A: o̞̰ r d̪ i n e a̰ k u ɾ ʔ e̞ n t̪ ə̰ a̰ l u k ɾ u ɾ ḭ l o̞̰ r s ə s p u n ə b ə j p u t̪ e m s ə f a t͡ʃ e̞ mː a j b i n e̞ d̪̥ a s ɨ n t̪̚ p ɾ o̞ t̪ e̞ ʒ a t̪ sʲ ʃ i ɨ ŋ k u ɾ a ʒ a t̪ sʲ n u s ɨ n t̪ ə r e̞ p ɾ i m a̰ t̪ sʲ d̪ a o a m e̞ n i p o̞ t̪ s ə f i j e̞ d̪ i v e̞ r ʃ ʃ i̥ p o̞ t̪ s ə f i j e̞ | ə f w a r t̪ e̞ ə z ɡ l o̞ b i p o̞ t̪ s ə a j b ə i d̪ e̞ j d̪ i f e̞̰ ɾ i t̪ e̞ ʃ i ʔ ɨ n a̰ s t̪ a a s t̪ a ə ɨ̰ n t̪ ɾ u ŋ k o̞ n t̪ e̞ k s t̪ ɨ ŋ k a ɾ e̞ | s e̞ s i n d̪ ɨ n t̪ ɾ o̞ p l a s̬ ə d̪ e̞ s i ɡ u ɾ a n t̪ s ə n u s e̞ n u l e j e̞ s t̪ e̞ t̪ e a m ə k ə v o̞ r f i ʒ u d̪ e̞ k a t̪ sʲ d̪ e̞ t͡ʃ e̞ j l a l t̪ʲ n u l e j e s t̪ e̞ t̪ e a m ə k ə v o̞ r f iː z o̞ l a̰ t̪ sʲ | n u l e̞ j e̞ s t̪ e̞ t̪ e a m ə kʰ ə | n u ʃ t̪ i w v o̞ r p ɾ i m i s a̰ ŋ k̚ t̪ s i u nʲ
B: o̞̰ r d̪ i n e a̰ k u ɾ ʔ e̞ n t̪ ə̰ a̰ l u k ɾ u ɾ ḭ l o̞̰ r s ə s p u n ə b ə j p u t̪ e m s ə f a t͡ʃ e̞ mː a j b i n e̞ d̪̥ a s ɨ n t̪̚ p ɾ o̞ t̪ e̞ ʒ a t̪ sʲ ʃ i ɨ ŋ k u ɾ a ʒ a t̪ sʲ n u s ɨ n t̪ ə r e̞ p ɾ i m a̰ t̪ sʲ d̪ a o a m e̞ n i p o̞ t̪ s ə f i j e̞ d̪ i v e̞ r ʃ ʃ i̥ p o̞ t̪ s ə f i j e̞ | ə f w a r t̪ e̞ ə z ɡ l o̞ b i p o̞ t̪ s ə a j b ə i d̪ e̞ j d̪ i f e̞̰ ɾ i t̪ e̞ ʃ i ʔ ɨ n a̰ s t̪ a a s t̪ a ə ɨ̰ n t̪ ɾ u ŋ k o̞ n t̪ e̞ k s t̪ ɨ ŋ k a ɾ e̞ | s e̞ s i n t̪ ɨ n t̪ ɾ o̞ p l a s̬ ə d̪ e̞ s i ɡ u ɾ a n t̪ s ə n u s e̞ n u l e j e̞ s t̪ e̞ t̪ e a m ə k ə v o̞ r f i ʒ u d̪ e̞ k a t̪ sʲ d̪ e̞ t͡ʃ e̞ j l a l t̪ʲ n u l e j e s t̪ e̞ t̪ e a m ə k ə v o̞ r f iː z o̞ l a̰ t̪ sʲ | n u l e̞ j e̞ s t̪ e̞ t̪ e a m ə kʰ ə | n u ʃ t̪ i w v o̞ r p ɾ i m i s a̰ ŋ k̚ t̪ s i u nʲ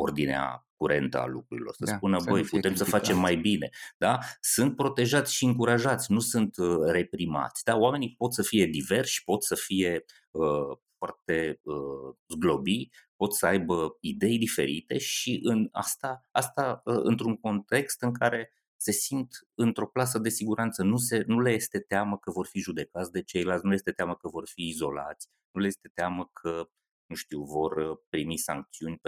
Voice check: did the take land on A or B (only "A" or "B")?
B